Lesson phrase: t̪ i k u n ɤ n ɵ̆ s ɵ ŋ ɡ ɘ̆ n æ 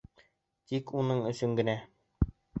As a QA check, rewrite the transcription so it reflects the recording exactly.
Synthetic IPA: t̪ i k u n ɤ ɴ ɵ̆ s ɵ ŋ ɡ ɘ̆ n æ